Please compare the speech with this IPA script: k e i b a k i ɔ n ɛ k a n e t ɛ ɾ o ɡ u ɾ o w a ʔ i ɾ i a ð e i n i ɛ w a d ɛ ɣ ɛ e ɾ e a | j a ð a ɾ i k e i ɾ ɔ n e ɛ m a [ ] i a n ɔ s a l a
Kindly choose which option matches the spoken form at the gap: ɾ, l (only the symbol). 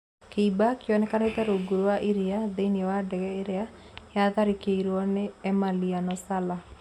l